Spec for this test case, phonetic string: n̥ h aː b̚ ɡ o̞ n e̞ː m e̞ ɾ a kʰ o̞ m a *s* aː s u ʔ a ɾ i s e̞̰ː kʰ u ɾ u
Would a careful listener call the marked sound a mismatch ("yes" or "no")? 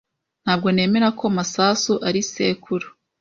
no